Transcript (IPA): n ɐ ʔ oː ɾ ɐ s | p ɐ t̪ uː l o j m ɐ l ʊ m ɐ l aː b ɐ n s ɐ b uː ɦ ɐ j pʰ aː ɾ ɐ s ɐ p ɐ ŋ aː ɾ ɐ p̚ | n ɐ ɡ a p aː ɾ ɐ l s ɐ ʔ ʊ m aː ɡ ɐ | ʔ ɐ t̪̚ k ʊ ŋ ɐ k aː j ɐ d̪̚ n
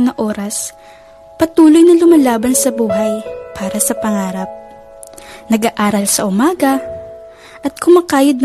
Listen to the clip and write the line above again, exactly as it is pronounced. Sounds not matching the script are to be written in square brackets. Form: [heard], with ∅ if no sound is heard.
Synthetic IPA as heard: n ɐ ʔ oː ɾ ɐ s | p ɐ t̪ uː l o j [n] ɐ l ʊ m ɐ l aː b ɐ n s ɐ b uː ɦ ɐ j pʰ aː ɾ ɐ s ɐ p ɐ ŋ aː ɾ ɐ p̚ | n ɐ ɡ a [ʔ] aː ɾ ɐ l s ɐ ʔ ʊ m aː ɡ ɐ | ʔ ɐ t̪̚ k ʊ [m] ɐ k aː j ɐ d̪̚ n